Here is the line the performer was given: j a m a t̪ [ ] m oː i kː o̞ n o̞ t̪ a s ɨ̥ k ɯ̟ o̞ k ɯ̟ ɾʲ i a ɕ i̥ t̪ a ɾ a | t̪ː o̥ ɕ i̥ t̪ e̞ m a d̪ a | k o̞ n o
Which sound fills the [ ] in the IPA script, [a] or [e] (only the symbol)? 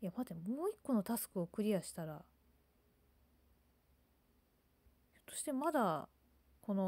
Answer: e